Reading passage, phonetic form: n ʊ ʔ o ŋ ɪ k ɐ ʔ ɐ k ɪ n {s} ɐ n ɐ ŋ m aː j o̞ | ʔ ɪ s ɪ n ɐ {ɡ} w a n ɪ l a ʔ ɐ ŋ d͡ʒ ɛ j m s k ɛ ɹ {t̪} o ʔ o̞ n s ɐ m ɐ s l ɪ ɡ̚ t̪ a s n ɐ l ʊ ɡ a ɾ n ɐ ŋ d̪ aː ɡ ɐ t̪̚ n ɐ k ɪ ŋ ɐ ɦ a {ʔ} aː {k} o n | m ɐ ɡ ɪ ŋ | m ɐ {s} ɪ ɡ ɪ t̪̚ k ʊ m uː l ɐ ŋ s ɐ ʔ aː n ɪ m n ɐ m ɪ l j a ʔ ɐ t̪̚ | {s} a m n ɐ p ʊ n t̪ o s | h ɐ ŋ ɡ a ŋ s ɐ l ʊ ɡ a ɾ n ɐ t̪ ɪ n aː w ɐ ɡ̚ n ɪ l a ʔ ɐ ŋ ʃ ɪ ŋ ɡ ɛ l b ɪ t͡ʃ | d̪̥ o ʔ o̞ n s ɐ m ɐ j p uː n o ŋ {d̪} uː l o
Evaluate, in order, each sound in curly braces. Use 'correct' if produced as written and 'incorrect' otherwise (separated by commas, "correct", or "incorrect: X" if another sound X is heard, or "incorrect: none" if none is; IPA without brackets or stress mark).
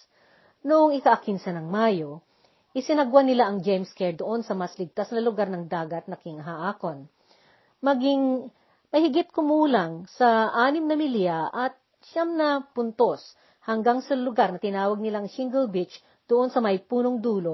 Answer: correct, correct, incorrect: d̪, correct, correct, incorrect: h, incorrect: ʃ, correct